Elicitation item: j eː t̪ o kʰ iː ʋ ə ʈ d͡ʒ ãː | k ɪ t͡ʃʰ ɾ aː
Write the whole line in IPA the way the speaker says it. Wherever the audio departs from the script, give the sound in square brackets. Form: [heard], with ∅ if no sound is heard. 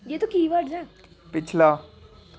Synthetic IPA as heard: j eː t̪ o [k] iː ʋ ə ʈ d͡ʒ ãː | [p] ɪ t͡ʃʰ [l] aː